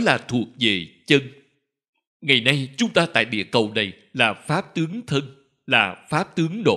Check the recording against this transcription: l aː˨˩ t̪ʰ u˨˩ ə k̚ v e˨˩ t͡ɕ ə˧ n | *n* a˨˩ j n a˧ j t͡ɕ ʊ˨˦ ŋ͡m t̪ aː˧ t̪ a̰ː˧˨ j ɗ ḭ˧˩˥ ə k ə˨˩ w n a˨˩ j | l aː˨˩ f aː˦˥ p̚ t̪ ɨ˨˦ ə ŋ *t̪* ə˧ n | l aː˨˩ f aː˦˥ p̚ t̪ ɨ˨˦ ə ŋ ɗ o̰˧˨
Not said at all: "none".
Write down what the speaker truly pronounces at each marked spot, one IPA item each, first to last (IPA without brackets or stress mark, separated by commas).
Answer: ŋ, t̪ʰ